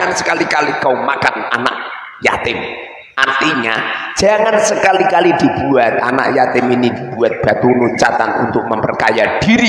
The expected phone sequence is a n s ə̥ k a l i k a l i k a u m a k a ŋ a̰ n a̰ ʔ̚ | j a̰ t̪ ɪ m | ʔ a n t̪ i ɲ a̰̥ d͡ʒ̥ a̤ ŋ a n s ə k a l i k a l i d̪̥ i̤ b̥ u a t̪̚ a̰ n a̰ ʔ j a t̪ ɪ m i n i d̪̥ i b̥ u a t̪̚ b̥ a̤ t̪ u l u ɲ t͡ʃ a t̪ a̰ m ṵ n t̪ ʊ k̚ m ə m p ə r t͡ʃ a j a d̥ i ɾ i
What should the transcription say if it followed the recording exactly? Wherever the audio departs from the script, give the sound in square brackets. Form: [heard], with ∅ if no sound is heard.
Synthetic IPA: a n s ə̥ k a l i k a l i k a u m a k a [n] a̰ n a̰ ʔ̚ | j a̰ t̪ ɪ m | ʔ a n t̪ i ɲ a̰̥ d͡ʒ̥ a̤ ŋ a n s ə k a l i k a l i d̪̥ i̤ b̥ u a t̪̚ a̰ n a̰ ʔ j a t̪ ɪ m i n i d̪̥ i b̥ u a t̪̚ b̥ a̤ t̪ u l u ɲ t͡ʃ a t̪ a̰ [n] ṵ n t̪ ʊ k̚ m ə m p ə r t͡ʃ a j a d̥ i ɾ i